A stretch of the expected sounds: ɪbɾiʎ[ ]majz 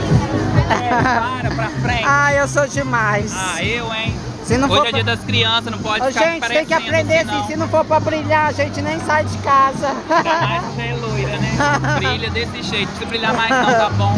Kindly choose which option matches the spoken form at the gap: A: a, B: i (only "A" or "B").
A